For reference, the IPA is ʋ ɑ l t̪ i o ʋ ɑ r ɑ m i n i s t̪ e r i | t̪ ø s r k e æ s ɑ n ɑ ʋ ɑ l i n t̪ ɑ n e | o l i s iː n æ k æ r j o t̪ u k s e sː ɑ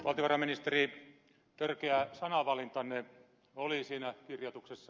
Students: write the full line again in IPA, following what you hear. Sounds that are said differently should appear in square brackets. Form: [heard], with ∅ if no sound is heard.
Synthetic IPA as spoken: ʋ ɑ l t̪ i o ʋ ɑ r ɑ m i n i s t̪ e r i | t̪ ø [∅] r k e æ s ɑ n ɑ ʋ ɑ l i n t̪ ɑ n e | o l i s iː n æ k [i] r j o t̪ u k s e sː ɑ